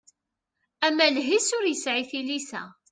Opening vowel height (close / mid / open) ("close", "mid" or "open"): open